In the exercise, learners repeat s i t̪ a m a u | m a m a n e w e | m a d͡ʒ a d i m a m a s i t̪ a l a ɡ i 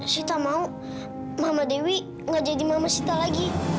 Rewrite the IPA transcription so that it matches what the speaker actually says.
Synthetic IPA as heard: s i t̪ a m a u | m a m a d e w i | ŋ a d͡ʒ a d i m a m a s i t̪ a l a ɡ i